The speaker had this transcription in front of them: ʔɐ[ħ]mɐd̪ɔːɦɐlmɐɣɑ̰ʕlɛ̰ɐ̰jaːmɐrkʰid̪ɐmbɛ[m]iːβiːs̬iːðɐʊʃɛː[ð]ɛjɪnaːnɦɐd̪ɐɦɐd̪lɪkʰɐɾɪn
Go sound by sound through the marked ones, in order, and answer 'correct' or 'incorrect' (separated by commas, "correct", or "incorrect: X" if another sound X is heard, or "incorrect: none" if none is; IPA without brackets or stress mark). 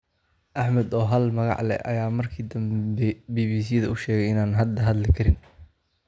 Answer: correct, incorrect: b, incorrect: ɣ